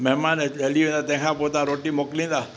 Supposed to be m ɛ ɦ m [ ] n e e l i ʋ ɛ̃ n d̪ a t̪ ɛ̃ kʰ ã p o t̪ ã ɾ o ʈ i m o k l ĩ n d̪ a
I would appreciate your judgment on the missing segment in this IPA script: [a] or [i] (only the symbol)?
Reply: a